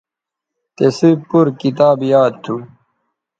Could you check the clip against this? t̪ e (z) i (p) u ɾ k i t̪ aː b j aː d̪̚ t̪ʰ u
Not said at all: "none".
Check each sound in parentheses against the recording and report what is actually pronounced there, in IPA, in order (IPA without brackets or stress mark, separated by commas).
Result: s, p